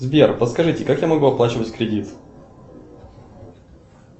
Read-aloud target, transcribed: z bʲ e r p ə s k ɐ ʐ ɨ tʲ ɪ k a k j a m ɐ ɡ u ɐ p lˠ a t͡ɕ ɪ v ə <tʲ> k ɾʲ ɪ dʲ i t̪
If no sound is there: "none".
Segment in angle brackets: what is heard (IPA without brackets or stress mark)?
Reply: tʲ